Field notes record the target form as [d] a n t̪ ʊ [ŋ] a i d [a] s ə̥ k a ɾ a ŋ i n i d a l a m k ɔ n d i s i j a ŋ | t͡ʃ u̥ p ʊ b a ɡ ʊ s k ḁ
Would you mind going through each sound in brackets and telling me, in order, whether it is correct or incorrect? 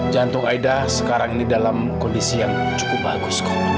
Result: incorrect, correct, correct

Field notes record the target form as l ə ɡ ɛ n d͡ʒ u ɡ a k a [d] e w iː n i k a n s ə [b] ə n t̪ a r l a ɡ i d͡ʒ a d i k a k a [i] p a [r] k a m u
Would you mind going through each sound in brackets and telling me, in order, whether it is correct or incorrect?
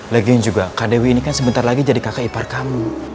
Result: correct, correct, correct, correct

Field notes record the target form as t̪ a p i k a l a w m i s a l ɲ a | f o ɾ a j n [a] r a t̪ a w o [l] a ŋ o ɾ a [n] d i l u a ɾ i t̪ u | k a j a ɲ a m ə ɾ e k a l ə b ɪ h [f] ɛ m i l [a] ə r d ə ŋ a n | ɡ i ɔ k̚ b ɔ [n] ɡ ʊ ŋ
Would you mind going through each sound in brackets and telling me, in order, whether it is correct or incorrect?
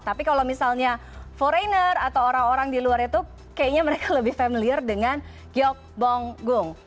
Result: incorrect, incorrect, incorrect, correct, incorrect, incorrect

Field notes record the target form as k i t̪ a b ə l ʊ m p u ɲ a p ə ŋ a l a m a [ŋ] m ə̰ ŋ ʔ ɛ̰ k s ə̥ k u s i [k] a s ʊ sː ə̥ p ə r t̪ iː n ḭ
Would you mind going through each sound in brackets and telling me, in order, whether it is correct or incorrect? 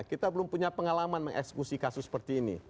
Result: incorrect, correct

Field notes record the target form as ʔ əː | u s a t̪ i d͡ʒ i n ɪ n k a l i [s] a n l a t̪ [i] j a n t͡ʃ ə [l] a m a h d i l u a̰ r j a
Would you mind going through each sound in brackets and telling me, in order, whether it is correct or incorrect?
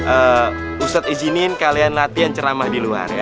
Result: incorrect, correct, incorrect

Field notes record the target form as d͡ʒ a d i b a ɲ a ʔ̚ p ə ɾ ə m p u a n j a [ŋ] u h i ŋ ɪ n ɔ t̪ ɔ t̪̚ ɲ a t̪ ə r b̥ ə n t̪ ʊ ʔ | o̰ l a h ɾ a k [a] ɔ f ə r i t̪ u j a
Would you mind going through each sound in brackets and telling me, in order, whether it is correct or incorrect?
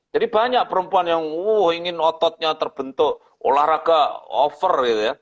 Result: correct, correct

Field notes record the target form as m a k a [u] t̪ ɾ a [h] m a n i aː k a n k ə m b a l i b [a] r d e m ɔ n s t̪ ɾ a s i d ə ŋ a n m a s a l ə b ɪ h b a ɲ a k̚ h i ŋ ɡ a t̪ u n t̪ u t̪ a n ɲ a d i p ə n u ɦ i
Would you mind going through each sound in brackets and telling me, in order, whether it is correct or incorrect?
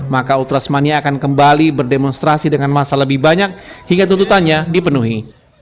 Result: correct, incorrect, incorrect

